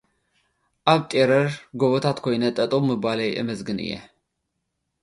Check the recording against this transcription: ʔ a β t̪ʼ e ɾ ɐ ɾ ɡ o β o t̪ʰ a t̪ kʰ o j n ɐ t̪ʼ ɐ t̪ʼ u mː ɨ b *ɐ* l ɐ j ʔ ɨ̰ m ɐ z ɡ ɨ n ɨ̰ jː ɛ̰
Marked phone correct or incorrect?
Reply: incorrect